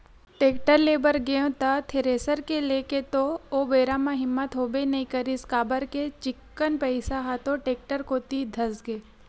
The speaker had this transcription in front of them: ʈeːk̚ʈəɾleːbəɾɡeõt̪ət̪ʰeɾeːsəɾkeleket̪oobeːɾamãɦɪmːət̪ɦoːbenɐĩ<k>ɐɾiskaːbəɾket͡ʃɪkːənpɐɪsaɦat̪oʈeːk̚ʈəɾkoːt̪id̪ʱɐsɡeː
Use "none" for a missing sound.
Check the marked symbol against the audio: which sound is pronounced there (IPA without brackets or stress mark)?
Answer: k